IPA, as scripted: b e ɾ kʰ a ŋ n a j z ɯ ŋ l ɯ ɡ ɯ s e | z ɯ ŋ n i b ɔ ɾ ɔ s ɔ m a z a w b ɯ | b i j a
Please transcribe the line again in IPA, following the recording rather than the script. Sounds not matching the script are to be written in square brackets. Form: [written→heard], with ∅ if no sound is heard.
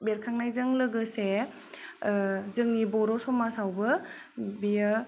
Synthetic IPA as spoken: b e ɾ kʰ a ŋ n a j z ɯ ŋ l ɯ ɡ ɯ s e | z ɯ ŋ n i b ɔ ɾ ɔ s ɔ m a [z→s] a w b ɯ | b i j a